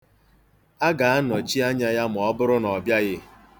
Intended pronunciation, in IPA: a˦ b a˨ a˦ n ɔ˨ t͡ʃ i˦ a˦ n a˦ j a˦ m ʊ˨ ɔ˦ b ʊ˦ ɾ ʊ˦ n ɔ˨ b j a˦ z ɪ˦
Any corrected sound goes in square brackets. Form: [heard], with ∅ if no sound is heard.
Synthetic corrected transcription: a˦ [ɡ] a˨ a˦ n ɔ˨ t͡ʃ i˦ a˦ [ɲ] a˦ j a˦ m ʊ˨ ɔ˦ b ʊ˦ ɾ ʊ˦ n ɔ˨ b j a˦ [ɣ] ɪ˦